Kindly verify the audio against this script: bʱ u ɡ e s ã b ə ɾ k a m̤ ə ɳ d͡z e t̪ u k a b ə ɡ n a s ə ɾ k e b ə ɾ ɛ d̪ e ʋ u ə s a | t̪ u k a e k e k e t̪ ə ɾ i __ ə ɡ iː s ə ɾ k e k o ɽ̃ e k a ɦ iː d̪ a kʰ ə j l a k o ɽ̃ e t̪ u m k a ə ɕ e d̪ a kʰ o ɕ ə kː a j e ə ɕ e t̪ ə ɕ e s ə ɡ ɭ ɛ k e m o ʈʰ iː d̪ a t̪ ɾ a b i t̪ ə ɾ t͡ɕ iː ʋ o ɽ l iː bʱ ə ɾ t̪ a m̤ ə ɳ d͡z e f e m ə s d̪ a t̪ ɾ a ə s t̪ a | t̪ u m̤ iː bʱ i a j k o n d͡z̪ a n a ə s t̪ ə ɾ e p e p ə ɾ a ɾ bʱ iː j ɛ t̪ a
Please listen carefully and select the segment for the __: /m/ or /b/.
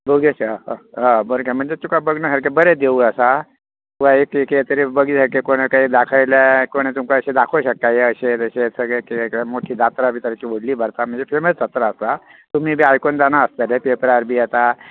b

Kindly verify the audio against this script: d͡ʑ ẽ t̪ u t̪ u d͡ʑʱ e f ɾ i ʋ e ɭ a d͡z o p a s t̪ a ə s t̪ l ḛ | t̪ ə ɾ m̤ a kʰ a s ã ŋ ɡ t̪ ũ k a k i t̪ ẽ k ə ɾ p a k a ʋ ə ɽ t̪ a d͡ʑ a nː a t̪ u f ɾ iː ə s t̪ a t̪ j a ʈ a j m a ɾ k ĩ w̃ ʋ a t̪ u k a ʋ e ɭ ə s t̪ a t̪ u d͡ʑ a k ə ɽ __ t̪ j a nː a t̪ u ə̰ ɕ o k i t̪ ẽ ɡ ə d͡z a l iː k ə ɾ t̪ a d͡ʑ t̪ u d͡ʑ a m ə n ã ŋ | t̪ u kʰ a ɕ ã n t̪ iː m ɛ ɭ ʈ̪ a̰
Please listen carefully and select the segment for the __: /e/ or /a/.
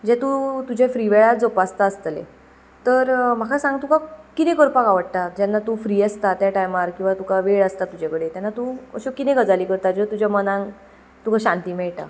e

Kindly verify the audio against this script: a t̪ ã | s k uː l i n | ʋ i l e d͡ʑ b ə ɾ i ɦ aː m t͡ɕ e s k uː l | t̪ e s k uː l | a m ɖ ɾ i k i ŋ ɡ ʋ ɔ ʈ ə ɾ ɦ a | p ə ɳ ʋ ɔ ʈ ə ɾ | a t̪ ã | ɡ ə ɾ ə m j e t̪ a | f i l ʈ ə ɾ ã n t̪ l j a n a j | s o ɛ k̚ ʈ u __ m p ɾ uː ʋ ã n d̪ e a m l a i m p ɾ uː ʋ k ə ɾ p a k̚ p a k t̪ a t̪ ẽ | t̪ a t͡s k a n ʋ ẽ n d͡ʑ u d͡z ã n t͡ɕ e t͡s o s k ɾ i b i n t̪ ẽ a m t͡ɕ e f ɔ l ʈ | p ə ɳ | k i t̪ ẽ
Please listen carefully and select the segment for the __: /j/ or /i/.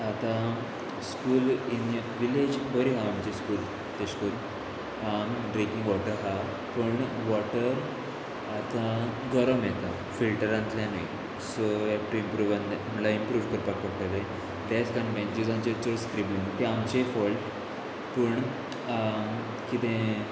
i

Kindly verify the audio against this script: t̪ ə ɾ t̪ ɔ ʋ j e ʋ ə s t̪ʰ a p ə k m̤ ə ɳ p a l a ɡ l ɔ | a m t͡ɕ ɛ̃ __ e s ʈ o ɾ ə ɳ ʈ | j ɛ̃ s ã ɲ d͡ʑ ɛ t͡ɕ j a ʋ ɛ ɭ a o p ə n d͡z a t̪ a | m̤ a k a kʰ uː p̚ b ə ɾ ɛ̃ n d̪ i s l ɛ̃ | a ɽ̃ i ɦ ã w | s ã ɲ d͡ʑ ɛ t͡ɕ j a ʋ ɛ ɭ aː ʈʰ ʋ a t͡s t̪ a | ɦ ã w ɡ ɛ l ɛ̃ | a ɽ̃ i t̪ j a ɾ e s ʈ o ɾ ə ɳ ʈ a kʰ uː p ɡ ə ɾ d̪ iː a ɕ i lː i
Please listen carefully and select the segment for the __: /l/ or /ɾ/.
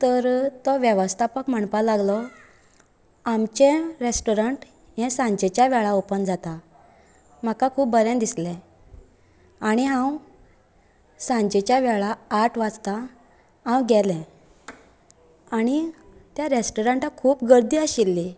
ɾ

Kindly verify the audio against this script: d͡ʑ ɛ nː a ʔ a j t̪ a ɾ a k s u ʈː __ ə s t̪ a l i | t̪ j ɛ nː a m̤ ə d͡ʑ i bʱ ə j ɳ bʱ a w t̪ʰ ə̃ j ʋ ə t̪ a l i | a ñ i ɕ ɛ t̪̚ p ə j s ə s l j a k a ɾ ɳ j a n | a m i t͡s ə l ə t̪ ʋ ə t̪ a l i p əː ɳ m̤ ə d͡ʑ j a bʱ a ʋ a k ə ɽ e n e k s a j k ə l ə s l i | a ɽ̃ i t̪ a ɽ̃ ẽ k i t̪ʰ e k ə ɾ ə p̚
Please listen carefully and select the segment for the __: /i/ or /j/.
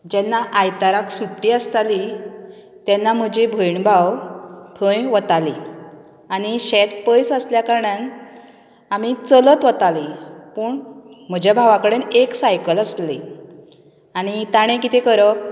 i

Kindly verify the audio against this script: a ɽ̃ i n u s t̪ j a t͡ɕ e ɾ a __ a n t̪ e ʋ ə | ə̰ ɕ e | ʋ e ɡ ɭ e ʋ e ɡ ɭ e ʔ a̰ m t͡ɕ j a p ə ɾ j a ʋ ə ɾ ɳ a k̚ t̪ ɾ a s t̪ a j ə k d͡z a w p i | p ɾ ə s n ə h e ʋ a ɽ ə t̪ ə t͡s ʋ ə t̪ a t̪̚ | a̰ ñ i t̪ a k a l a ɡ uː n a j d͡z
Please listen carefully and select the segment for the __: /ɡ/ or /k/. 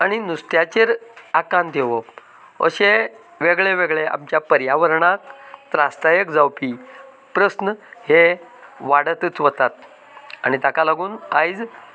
k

